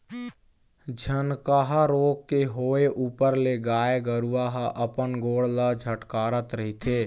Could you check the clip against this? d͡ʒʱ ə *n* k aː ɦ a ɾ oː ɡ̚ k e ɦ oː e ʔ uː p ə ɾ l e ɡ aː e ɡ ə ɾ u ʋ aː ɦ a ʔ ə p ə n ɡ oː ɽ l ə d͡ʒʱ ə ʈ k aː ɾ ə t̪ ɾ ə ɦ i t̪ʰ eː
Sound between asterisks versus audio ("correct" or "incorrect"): correct